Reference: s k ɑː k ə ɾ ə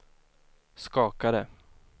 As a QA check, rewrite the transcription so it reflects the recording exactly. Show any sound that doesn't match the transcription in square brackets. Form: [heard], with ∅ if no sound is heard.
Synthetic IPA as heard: s k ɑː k [a] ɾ ə